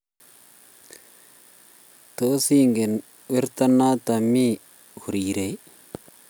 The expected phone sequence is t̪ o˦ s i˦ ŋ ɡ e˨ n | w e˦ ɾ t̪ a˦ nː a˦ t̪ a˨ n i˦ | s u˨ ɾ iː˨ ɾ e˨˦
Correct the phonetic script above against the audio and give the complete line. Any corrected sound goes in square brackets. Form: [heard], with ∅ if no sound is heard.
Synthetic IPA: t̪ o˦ s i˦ ŋ ɡ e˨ n | w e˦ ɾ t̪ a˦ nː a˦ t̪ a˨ [m] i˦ | [h] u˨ ɾ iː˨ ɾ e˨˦